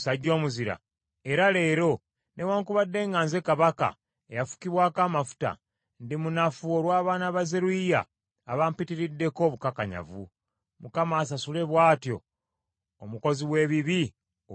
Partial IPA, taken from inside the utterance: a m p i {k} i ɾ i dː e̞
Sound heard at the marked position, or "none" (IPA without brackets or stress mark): t